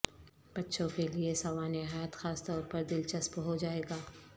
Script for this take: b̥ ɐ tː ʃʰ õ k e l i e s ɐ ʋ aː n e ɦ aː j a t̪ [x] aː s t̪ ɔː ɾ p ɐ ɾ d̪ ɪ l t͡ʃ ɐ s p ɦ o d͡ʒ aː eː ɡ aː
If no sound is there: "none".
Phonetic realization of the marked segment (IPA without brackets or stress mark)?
x